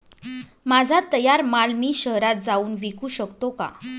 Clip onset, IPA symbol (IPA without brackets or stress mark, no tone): m